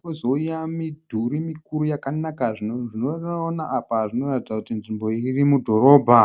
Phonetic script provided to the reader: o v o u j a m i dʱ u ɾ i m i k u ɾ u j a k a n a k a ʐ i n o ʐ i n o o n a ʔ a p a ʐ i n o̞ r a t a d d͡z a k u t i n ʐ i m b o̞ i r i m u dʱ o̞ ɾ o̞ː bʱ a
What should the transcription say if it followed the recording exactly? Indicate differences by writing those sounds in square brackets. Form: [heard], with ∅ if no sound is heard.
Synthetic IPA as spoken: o [z] o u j a m i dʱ u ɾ i m i k u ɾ u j a k a n a k a ʐ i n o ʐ i n o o n a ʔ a p a ʐ i n o̞ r a t [i] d d͡z a k u t i n ʐ i m b o̞ i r i m u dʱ o̞ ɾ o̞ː bʱ a